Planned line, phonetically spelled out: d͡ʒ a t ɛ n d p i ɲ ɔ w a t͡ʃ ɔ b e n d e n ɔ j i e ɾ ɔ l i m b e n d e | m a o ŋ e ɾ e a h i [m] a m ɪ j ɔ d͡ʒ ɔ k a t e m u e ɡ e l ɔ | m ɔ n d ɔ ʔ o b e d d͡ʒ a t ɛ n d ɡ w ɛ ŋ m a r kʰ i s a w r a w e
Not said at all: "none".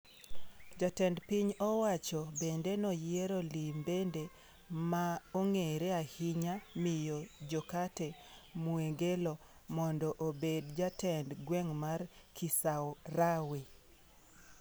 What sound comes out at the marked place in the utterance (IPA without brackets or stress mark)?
ɲ